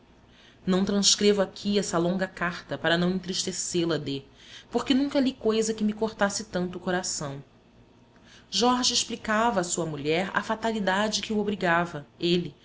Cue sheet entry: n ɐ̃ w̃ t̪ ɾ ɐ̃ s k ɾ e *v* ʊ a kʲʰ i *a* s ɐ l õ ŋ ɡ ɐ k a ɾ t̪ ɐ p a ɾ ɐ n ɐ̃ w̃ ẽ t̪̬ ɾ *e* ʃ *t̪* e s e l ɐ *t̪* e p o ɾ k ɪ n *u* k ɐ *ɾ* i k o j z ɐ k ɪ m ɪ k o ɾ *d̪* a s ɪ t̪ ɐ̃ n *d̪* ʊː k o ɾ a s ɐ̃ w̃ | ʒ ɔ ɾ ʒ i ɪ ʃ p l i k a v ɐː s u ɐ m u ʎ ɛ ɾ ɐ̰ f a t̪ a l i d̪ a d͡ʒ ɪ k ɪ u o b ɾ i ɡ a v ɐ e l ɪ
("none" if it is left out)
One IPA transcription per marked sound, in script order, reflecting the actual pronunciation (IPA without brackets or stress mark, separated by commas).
v, ɛ, i, t̪, d̪, ũ, l, t̪, t̪